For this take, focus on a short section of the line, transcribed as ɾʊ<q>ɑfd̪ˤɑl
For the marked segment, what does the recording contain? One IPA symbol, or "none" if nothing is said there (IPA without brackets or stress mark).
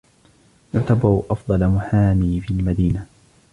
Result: ʔ